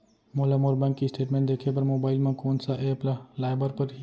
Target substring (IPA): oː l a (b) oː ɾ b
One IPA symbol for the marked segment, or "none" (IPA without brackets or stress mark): m